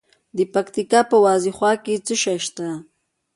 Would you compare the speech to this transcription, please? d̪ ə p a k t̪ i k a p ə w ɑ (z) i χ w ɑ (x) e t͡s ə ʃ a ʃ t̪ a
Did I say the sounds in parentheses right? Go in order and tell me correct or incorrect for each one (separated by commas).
correct, incorrect